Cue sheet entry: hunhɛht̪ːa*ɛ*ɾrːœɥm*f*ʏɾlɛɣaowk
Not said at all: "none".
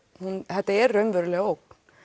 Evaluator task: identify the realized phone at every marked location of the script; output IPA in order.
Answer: ɛ, v

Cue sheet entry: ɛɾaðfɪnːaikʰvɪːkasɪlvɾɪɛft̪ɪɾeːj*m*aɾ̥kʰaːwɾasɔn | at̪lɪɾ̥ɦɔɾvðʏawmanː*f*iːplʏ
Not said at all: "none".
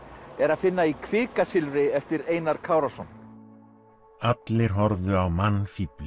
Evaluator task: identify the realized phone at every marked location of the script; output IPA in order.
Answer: n, f

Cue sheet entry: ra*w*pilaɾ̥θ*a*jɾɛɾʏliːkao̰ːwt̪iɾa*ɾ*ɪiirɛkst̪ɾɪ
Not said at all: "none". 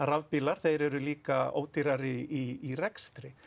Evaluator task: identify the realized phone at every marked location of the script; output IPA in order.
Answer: v, e, ɾ

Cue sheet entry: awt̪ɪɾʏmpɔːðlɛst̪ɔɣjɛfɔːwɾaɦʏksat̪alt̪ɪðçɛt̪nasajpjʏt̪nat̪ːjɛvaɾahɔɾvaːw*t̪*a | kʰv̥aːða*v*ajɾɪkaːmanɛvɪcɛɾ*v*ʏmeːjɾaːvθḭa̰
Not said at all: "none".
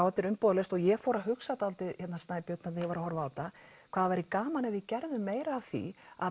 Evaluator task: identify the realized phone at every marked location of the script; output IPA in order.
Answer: t̪, v, ð

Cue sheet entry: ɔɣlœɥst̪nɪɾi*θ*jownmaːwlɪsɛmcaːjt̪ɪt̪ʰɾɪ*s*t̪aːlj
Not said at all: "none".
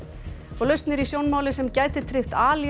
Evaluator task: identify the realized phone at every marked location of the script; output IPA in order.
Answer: s, x

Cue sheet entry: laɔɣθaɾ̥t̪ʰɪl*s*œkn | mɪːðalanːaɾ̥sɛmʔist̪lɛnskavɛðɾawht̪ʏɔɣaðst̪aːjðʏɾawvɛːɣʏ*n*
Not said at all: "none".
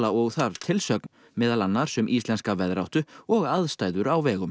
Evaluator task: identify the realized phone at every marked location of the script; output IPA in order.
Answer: s, m

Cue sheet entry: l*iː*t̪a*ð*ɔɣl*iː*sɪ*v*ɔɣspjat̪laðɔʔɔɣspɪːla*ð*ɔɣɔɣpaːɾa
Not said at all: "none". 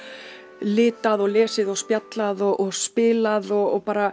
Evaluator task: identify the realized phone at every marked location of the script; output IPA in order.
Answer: ɪː, ð, ɛː, ð, ð

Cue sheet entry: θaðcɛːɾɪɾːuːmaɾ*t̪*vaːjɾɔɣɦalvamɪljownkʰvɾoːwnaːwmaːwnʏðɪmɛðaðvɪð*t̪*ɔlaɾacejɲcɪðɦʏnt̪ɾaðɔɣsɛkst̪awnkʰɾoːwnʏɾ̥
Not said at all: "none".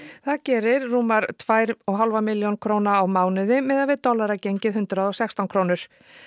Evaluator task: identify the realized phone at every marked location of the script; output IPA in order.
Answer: t̪ʰ, t̪

